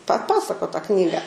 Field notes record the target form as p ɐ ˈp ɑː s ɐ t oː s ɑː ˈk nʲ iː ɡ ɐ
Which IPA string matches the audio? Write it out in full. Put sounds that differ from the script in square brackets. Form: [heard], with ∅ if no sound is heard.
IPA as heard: p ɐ ˈp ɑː s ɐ [k] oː [t] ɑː ˈk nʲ iː ɡ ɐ